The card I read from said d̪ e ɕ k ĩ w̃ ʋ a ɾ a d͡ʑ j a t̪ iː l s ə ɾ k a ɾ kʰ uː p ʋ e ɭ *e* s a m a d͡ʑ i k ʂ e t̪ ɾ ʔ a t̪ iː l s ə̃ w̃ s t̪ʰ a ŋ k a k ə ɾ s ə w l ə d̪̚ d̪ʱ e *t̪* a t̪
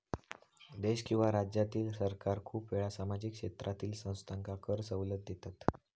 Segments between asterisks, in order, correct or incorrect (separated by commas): incorrect, correct